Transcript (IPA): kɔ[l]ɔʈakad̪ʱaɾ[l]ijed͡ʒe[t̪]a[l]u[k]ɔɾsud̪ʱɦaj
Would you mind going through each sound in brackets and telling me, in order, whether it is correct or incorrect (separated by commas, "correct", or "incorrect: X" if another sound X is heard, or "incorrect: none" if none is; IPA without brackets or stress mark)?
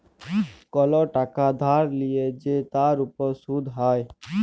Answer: correct, correct, correct, incorrect: ɾ, incorrect: p